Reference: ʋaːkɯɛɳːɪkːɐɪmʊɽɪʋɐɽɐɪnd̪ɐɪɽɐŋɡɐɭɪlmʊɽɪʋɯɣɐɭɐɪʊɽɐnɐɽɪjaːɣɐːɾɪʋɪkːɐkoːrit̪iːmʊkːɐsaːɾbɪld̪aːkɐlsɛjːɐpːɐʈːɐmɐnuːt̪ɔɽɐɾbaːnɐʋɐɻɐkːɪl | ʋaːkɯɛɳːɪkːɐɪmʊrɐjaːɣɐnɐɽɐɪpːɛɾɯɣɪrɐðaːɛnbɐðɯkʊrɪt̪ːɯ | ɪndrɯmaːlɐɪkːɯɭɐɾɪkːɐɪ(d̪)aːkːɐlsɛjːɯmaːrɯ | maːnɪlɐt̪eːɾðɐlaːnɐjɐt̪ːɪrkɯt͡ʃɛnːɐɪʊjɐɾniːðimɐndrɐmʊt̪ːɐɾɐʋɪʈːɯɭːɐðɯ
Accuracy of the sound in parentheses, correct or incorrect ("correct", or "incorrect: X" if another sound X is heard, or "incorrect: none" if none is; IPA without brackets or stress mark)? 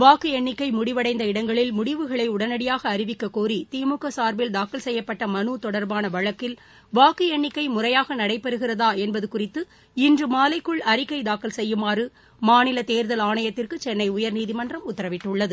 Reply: correct